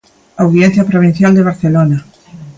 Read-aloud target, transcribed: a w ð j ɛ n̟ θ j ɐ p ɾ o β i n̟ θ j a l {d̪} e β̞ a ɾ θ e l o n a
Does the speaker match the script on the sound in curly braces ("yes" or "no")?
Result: yes